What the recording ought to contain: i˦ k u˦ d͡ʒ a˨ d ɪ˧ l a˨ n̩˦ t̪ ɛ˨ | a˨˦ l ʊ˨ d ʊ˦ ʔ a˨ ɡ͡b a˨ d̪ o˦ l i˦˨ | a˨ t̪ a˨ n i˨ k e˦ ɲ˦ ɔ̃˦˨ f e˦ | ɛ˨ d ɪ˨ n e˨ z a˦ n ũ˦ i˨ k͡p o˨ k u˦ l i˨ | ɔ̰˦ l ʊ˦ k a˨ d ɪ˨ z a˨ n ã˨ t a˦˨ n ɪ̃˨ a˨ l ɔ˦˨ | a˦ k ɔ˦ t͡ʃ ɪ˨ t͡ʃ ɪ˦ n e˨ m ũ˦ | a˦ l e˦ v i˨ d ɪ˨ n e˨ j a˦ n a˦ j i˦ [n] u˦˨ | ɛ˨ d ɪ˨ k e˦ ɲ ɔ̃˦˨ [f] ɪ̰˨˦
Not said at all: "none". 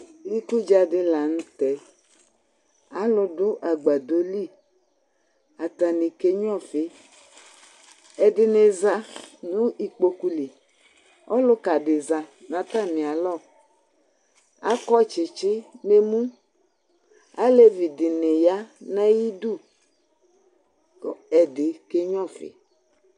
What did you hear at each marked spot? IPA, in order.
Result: d, f

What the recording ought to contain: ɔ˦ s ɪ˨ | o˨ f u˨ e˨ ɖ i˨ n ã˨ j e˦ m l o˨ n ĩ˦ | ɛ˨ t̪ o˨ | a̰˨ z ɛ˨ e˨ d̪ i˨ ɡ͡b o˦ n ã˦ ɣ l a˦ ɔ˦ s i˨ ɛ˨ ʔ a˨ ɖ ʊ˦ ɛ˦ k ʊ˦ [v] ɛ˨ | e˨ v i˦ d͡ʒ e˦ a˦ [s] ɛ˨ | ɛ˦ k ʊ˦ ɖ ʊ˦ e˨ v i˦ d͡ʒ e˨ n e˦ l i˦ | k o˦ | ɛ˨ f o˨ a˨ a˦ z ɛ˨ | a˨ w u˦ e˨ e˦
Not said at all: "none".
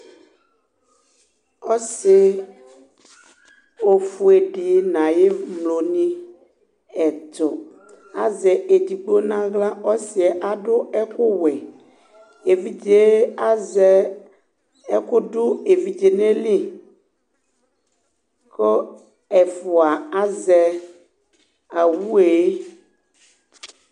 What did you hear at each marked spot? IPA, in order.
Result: w, z

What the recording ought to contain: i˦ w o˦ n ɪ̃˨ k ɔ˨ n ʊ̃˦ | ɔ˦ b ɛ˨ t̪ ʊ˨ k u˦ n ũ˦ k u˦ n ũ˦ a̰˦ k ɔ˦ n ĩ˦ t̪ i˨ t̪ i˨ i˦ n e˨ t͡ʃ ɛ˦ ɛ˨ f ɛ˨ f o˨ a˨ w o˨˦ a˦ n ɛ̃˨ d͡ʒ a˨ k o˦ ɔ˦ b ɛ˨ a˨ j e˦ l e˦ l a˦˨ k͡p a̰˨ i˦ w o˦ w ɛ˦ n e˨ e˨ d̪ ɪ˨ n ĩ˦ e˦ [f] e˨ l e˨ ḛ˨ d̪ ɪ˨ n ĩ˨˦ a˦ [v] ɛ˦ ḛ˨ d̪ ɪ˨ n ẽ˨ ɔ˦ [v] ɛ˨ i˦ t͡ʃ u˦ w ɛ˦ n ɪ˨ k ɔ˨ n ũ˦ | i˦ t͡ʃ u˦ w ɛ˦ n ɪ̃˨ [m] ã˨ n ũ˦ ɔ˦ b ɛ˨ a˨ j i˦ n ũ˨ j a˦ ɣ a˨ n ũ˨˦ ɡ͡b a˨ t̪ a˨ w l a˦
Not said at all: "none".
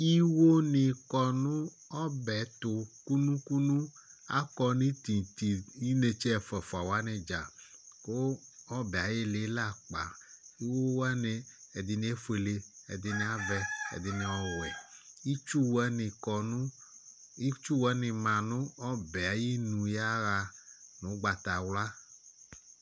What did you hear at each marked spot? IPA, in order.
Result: f, v, w, m

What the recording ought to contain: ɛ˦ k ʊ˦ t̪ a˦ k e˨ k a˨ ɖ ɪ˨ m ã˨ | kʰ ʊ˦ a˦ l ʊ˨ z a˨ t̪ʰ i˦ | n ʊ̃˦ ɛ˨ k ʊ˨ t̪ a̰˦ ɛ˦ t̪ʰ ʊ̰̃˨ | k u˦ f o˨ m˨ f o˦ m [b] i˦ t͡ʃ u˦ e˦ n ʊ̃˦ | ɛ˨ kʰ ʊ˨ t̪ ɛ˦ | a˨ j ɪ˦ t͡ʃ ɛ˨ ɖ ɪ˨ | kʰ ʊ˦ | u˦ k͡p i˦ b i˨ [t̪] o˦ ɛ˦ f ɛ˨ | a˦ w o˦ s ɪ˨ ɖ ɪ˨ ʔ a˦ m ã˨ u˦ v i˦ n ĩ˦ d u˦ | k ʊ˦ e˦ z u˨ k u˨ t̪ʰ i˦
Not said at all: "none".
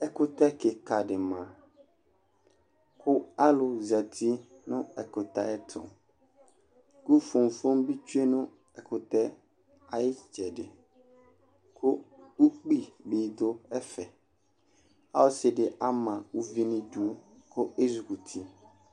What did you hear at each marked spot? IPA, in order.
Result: b, d̪

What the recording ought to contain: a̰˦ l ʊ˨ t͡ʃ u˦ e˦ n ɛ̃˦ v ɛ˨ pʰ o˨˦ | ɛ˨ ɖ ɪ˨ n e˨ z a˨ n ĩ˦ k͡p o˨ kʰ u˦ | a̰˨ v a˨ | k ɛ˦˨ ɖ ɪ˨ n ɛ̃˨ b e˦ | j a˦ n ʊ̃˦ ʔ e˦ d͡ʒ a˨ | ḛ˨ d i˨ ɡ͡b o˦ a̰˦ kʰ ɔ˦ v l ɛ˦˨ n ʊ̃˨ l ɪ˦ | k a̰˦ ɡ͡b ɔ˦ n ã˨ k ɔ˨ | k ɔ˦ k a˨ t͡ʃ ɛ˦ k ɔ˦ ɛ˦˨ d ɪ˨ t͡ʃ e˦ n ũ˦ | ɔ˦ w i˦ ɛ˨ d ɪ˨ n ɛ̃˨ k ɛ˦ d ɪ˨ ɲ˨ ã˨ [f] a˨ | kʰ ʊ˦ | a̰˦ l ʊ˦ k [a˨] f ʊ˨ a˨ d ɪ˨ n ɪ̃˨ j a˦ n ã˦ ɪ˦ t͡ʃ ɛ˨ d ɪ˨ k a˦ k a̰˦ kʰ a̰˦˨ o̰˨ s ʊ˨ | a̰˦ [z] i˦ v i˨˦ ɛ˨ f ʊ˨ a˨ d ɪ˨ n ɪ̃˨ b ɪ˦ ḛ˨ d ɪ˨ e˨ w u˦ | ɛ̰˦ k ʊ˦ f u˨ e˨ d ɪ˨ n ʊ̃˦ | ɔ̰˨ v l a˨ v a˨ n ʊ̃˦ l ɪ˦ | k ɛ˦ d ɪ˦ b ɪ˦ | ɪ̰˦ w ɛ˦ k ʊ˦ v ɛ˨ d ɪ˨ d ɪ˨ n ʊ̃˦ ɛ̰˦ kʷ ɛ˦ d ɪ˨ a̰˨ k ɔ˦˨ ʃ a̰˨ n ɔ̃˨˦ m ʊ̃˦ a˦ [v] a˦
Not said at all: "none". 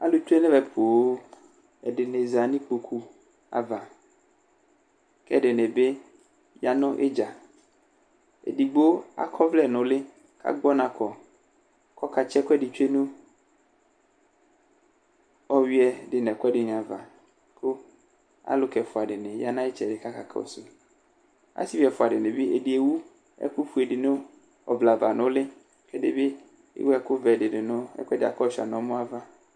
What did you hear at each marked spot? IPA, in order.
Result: v, ɛ˨, s, v

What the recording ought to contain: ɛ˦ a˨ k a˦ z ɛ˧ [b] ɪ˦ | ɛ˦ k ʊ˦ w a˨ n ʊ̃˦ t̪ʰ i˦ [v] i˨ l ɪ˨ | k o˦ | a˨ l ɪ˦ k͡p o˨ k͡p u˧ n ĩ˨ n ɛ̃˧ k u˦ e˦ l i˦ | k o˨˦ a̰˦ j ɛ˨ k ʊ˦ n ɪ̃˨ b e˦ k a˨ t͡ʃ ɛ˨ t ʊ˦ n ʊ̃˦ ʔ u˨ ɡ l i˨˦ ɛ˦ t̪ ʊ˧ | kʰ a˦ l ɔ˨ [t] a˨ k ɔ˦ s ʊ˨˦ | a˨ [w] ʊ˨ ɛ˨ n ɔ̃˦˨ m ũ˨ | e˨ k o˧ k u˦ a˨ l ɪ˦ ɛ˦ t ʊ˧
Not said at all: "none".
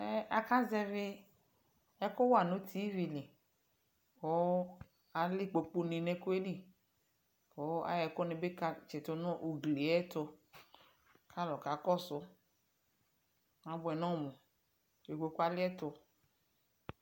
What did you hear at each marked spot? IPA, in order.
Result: v, v, k, b

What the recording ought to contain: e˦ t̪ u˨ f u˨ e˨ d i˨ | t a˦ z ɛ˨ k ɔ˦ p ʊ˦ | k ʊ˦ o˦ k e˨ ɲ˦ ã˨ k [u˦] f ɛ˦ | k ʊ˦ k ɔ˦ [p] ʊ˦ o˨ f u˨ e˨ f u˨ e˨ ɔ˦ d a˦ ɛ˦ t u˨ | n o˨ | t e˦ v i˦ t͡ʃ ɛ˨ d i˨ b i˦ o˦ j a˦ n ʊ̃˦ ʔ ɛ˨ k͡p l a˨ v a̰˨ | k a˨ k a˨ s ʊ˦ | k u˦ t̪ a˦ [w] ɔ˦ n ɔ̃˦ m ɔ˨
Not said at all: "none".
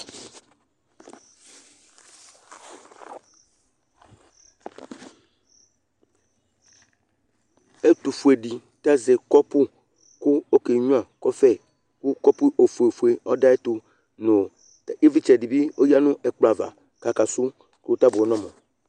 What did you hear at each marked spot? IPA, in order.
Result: ɔ˦, p, b

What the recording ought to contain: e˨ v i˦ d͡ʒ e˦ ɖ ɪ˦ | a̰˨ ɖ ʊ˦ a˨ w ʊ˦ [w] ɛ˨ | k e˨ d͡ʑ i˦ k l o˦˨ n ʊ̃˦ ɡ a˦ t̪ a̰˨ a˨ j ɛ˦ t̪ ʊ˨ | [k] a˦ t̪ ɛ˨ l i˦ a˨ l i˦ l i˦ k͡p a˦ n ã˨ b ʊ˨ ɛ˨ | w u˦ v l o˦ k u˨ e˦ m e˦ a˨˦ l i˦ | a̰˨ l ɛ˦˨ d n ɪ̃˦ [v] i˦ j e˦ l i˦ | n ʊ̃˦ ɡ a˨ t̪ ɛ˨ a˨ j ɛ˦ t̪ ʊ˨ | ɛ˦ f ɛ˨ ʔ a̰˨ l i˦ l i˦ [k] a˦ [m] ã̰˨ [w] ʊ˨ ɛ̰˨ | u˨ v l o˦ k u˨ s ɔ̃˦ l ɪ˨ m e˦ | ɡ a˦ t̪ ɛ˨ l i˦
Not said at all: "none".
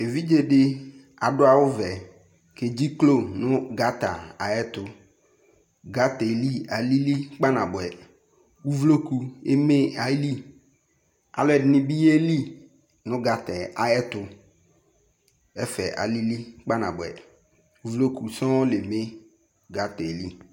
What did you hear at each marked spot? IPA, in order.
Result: v, ɡ, b, k͡p, n, b

